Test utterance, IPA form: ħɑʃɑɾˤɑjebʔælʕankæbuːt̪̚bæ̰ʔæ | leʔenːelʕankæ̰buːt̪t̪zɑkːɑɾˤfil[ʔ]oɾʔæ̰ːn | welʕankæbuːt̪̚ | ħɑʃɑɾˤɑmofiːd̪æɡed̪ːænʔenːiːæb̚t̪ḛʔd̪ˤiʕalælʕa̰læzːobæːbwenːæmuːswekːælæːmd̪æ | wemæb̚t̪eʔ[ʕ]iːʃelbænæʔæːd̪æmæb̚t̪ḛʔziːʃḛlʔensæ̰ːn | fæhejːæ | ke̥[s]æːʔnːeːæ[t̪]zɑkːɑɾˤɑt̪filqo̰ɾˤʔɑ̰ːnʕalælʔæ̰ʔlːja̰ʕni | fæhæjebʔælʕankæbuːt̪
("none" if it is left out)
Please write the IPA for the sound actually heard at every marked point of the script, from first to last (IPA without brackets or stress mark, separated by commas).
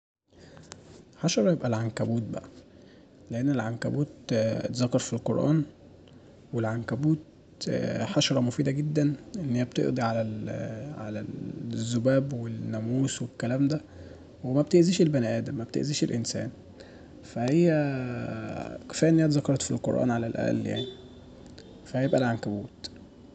q, z, f, t̪